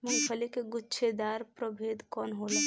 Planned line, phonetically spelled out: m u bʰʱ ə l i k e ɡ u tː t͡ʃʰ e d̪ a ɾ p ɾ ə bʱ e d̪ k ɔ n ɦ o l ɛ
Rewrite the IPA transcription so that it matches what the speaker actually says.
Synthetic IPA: m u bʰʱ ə l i k e ɡ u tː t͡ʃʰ e d̪ a ɾ p ɾ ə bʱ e d̪ k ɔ n ɦ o l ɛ